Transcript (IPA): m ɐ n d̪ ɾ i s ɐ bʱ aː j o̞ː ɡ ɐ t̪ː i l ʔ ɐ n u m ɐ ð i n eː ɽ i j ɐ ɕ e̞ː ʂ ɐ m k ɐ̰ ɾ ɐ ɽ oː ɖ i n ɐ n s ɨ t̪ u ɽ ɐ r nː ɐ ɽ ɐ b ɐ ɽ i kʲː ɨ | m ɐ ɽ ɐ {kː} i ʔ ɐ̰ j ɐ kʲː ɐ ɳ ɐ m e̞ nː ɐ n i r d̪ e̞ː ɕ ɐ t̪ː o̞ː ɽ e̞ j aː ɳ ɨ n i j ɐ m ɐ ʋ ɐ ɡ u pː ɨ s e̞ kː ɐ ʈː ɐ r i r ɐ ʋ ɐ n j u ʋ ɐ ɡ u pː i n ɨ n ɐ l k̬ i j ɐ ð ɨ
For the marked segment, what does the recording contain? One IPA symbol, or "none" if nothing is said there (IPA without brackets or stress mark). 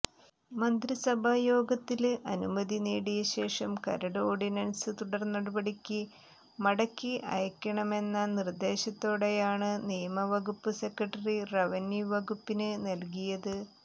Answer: kː